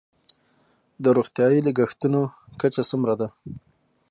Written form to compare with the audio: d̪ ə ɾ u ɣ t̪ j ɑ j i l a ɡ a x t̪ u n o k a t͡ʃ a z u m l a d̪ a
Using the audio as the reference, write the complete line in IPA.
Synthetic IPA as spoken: d̪ ə ɾ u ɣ t̪ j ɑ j i l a ɡ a x t̪ u n o k a t͡ʃ a s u m ɾ a d̪ a